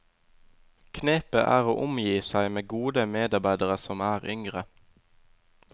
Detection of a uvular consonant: present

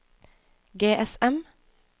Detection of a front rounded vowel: absent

